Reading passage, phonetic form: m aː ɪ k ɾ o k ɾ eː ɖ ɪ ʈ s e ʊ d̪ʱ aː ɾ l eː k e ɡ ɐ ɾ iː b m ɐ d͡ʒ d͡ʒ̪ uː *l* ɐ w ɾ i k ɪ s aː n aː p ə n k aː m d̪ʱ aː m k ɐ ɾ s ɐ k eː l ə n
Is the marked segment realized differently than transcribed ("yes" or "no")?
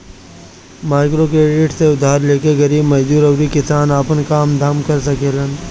yes